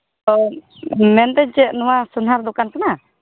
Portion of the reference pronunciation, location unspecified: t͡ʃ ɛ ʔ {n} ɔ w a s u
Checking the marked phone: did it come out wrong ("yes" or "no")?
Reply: no